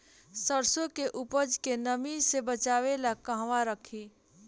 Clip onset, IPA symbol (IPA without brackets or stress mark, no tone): s